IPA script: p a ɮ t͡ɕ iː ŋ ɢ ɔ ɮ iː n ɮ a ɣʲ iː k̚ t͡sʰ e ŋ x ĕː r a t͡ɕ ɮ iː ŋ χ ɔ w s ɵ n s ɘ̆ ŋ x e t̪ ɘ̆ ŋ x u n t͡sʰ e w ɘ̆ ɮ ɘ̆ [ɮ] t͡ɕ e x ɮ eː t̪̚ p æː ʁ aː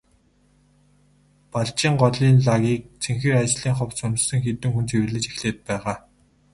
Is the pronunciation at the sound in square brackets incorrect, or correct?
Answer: incorrect